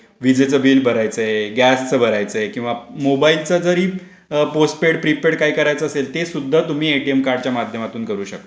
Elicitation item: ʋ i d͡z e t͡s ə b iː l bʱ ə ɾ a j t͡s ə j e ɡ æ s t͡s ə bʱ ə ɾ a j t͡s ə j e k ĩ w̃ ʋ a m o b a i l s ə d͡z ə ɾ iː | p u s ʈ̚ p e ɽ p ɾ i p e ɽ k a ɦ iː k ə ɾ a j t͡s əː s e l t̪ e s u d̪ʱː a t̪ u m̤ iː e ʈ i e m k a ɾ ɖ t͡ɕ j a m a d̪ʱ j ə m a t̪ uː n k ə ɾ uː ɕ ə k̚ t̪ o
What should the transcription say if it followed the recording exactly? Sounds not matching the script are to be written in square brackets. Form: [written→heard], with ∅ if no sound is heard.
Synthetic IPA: ʋ i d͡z e t͡s ə b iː l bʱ ə ɾ a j t͡s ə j e ɡ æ s t͡s ə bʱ ə ɾ a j t͡s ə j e k ĩ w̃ ʋ a m o b a i l [s→t͡s] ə d͡z ə ɾ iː | p [u→o] s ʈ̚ p e ɽ p ɾ i p e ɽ k a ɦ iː k ə ɾ a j t͡s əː s e l t̪ e s u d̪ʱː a t̪ u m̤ iː e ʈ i e m k a ɾ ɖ t͡ɕ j a m a d̪ʱ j ə m a t̪ uː n k ə ɾ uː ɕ ə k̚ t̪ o

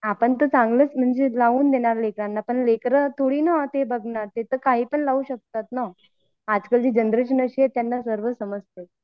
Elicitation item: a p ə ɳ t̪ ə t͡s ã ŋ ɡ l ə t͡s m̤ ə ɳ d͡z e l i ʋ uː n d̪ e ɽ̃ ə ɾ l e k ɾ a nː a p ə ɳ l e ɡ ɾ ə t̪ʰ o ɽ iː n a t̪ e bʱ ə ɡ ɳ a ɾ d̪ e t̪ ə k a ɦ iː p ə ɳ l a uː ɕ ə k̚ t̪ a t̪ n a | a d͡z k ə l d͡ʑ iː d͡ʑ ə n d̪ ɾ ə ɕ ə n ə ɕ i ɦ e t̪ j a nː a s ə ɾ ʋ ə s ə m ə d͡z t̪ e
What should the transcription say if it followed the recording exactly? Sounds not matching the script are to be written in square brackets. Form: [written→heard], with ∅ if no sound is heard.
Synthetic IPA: a p ə ɳ t̪ ə t͡s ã ŋ ɡ l ə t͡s m̤ ə ɳ d͡z e l [i→a] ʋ uː n d̪ e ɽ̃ [ə→a] ɾ l e k ɾ a nː a p ə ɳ l e [ɡ→k] ɾ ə t̪ʰ o ɽ iː n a t̪ e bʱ ə ɡ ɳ a ɾ [d̪→t̪] e t̪ ə k a ɦ iː p ə ɳ l a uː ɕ ə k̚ t̪ a t̪ n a | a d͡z k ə l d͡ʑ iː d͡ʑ ə n d̪ ɾ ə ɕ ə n ə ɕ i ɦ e t̪ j a nː a s ə ɾ ʋ ə s ə m ə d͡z t̪ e

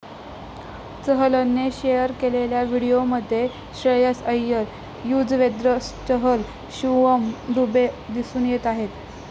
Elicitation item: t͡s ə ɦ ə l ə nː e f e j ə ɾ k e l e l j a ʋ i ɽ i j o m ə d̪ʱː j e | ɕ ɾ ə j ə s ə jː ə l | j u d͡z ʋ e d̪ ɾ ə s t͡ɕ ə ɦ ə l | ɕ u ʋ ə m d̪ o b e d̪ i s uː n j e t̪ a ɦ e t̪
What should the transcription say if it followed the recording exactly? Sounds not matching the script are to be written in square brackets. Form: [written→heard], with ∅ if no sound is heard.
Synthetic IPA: t͡s ə ɦ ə l ə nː e [f→ɕ] e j ə ɾ k e l e l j a ʋ i ɽ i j o m ə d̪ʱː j e | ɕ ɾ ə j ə s ə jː ə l | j u d͡z ʋ e d̪ ɾ ə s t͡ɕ ə ɦ ə l | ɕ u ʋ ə m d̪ [o→u] b e d̪ i s uː n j e t̪ a ɦ e t̪

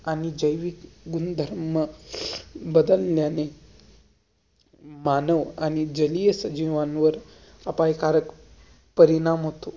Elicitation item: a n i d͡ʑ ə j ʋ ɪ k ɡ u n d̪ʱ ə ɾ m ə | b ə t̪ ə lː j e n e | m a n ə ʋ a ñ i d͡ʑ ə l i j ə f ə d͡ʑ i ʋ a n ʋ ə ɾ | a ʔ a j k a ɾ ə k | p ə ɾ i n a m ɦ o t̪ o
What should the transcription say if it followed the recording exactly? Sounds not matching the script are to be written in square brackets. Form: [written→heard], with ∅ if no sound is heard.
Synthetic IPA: a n i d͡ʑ ə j ʋ [ɪ→i] k ɡ u n d̪ʱ ə ɾ m ə | b ə [t̪→d̪] ə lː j [e→a] n e | m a n ə ʋ a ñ i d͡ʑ ə l i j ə [f→s] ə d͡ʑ i ʋ a n ʋ ə ɾ | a [ʔ→p] a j k a ɾ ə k | p ə ɾ i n a m ɦ o t̪ o

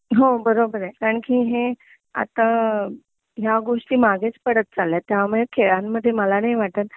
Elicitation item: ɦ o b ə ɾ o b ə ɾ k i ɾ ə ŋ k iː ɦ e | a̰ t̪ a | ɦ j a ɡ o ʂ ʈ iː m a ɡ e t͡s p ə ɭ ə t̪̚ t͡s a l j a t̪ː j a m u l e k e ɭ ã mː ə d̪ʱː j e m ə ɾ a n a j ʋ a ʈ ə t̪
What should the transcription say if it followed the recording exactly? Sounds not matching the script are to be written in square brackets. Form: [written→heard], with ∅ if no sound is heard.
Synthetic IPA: ɦ o b ə ɾ o b ə ɾ k [i→a] ɾ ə [ŋ→ɳ] k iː ɦ e | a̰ t̪ a | ɦ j a ɡ o ʂ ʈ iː m a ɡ e t͡s p ə [ɭ→ɽ] ə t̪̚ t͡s a l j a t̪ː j a m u [l→ɭ] e [k→kʰ] e ɭ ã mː ə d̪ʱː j e m ə [ɾ→l] a n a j ʋ a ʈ ə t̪

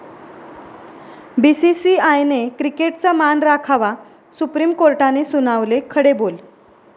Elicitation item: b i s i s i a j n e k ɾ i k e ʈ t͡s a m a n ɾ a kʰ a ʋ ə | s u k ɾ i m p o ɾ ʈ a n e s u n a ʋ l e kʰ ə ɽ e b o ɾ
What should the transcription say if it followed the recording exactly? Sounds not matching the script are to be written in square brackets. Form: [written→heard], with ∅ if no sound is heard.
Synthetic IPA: b i s i s i a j n e k ɾ i k e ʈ t͡s a m a n ɾ a kʰ a ʋ [ə→a] | s u [k→p] ɾ i m [p→k] o ɾ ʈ a n e s u n a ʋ l e kʰ ə ɽ e b o [ɾ→l]

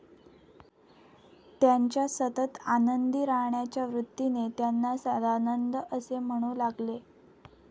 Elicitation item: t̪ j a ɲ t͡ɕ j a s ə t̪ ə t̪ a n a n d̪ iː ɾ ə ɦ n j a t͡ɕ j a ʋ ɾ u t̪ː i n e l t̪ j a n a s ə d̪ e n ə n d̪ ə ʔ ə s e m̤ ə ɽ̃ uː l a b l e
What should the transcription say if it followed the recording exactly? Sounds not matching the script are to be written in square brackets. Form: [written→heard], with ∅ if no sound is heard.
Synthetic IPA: t̪ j a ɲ t͡ɕ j a s ə t̪ ə t̪ a n [a→ə] n d̪ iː ɾ [ə→a] ɦ [n→ɳ] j a t͡ɕ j a ʋ ɾ u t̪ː i n e [l→∅] t̪ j a [n→nː] a s ə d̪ [e→a] n ə n d̪ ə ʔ ə s e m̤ ə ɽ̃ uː l a [b→ɡ] l e

